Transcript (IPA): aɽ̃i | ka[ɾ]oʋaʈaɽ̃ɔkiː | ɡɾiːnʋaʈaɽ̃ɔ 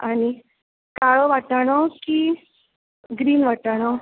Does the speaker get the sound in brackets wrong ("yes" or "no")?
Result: yes